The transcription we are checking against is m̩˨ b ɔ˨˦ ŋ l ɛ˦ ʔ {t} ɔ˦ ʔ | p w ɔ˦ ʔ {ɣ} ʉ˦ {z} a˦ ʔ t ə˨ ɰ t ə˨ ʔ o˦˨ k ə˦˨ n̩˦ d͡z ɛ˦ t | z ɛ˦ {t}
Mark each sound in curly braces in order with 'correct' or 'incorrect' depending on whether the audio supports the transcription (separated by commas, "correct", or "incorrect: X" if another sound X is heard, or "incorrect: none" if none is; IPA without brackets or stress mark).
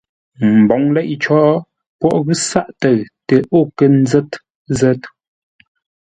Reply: incorrect: t͡ʃ, correct, incorrect: s, correct